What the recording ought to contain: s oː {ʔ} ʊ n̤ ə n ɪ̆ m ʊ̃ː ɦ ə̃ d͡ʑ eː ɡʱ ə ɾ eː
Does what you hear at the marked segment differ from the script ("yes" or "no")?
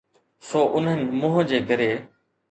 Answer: no